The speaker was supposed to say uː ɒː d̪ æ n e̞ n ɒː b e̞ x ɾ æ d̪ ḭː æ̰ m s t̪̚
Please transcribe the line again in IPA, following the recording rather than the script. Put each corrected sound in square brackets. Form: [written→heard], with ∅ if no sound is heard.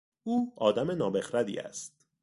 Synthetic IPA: uː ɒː d̪ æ [n→m] e̞ n ɒː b e̞ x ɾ æ d̪ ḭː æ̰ [m→∅] s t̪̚